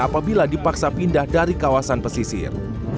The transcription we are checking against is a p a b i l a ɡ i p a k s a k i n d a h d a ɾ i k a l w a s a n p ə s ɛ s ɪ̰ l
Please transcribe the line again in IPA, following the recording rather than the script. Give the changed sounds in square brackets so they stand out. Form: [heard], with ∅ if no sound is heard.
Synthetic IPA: a p a b i l a [d] i p a k s a [p] i n d a h d a ɾ i k a [∅] w a s a n p ə s [i] s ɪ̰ [r]

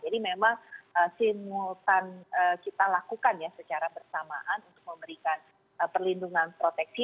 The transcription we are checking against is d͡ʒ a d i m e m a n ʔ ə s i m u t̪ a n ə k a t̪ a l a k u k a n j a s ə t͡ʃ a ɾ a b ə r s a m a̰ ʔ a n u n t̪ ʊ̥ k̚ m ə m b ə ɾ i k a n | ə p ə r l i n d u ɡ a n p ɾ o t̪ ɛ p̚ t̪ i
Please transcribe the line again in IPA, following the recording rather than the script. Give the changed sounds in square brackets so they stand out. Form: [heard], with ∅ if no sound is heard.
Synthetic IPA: d͡ʒ a d i m e m a [ŋ] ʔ ə s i m u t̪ a n ə k [i] t̪ a l a k u k a n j a s ə t͡ʃ a ɾ a b ə r s a m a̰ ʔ a n u n t̪ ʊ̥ k̚ m ə m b ə ɾ i k a n | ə p ə r l i n d u [ŋ] a n p ɾ o t̪ ɛ [k̚] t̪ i

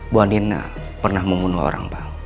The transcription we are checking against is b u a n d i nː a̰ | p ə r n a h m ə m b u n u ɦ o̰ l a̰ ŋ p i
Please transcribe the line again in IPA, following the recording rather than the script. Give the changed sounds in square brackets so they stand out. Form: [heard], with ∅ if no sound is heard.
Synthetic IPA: b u a n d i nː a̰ | p ə r n a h m ə m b u n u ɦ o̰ [ɾ] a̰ ŋ p [a]

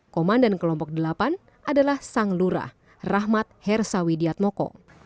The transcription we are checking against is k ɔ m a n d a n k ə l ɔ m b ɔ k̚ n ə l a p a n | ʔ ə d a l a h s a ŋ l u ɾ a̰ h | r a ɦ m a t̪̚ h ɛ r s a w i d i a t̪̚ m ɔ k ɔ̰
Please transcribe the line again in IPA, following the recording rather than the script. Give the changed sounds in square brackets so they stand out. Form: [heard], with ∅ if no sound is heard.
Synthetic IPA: k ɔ m a n d a n k ə l ɔ m [p] ɔ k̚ [d] ə l a p a n | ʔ [a] d a l a h s a ŋ l u ɾ a̰ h | r a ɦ m a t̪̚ h ɛ r s a w i d i a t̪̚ m ɔ k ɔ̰

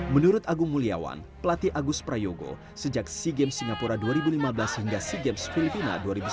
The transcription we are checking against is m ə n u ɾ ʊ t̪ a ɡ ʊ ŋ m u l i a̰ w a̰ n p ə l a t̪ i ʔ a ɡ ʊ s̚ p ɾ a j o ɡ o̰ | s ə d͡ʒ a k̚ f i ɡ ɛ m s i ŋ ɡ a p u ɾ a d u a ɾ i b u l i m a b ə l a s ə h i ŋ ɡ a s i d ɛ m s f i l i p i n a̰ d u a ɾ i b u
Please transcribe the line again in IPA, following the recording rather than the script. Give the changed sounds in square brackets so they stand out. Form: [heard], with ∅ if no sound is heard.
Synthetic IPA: m ə n u ɾ ʊ t̪ a ɡ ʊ ŋ m u l i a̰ w a̰ n p ə l a t̪ i ʔ a ɡ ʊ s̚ p ɾ a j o ɡ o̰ | s ə d͡ʒ a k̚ [s] i ɡ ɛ m s i ŋ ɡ a p u ɾ a d u a ɾ i b u l i m a b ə l a s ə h i ŋ ɡ a s i [ɡ] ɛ m s f i l i p i n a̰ d u a ɾ i b u

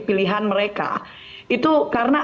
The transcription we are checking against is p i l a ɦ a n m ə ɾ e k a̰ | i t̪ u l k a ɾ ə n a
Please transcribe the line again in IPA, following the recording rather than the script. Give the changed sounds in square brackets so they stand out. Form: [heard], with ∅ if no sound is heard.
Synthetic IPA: p i l [i] ɦ a n m ə ɾ e k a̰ | i t̪ u [∅] k a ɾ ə n a

